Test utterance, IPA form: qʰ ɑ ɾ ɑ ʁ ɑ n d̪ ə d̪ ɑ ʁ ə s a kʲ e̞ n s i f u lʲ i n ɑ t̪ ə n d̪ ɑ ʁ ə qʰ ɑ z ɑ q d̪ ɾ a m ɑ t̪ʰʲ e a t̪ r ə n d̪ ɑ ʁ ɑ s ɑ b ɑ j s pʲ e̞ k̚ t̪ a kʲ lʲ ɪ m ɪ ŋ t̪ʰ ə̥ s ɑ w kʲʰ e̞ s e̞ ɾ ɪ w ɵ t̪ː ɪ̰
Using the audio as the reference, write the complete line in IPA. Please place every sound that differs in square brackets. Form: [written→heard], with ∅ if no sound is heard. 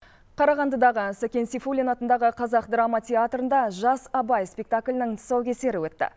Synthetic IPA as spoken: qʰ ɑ ɾ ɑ ʁ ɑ n d̪ ə d̪ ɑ ʁ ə s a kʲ e̞ n s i f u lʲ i n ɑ t̪ ə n d̪ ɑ ʁ ə qʰ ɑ z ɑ q d̪ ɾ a m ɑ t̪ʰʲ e a t̪ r ə n d̪ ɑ [ʁ→ʒ] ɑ s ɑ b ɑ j s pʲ e̞ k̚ t̪ a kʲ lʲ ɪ [m→n] ɪ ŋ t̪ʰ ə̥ s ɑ w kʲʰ e̞ s e̞ ɾ ɪ w ɵ t̪ː ɪ̰

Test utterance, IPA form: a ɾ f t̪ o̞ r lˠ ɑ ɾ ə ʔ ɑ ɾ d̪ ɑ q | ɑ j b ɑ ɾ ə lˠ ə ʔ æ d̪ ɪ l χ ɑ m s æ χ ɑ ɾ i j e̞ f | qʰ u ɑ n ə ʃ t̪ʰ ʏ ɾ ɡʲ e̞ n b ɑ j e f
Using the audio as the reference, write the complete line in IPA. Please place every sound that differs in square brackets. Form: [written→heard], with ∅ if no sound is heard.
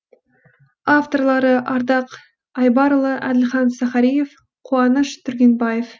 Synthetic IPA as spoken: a [ɾ→∅] f t̪ o̞ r lˠ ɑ ɾ ə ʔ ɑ ɾ d̪ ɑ q | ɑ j b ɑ ɾ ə lˠ ə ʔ æ d̪ ɪ l χ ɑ [m→n] s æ χ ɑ ɾ i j e̞ f | qʰ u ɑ n ə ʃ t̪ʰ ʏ ɾ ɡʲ e̞ n b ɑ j e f

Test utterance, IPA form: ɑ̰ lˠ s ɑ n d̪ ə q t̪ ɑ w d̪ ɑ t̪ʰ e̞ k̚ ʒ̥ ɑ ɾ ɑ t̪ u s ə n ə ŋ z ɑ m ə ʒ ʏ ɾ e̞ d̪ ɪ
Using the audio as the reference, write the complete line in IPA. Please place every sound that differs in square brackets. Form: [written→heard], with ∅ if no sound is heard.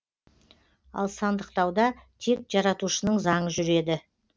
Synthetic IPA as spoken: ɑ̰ lˠ s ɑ n d̪ ə q t̪ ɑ w d̪ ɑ t̪ʰ e̞ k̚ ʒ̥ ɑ ɾ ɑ t̪ u [s→ʃ] ə n ə [ŋ→ɴ] z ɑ [m→ɴ] ə ʒ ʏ ɾ e̞ d̪ ɪ

